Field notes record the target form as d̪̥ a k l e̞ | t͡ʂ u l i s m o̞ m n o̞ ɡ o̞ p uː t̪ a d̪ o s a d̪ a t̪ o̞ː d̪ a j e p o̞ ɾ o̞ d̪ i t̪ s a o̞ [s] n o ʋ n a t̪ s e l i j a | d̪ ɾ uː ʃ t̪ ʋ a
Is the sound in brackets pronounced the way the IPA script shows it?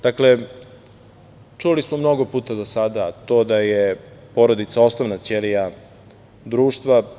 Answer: yes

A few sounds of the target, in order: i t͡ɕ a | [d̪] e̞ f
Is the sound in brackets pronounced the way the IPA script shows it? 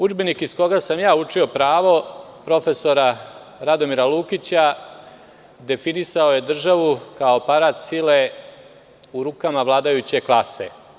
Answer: yes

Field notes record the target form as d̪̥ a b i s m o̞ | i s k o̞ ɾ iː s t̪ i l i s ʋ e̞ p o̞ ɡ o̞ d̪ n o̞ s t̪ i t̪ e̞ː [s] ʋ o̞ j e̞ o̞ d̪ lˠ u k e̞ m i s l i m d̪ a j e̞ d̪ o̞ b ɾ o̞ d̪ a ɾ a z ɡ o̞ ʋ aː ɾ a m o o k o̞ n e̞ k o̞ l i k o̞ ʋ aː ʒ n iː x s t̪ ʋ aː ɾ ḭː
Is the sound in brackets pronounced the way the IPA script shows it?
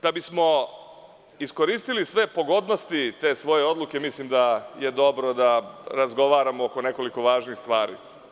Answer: yes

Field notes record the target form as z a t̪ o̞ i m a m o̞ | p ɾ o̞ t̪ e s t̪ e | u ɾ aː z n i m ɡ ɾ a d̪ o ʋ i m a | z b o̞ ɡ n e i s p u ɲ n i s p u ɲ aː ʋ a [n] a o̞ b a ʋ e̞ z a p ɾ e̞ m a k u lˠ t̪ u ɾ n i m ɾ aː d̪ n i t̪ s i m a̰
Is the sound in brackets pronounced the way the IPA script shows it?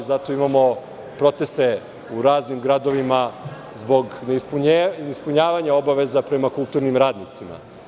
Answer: no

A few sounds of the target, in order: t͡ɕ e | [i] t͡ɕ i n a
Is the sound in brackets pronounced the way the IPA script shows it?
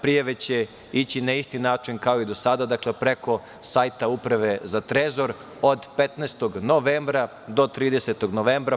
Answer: yes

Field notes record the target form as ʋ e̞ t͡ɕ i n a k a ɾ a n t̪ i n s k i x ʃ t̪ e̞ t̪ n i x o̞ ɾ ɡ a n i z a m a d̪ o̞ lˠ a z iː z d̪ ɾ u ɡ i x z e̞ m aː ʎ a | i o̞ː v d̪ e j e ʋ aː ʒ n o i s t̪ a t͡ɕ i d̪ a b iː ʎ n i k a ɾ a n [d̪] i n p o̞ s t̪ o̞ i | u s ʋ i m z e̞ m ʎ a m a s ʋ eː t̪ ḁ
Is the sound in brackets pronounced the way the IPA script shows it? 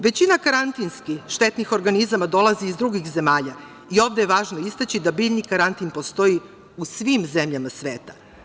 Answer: no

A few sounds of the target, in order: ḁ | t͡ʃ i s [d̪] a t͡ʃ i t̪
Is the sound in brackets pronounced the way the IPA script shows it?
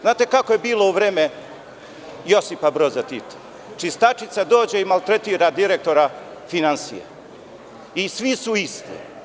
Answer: no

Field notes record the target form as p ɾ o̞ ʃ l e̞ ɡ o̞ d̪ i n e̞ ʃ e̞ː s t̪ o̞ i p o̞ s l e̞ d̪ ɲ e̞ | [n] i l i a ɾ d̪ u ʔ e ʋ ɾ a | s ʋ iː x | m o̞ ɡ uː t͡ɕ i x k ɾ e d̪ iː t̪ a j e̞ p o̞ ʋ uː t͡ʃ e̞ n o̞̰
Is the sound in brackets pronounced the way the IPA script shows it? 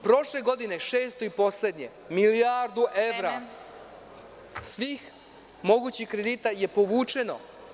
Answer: no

